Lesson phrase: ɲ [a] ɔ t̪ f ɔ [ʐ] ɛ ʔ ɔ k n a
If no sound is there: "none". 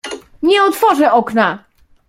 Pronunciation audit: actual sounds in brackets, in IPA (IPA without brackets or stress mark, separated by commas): ɛ, ʐ